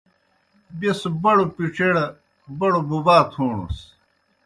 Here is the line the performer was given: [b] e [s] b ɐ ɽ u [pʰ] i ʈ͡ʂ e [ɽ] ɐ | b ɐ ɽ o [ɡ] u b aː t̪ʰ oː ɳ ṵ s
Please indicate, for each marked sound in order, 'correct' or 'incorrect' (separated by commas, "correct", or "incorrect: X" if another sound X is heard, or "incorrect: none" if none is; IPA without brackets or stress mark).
correct, correct, incorrect: p, correct, incorrect: b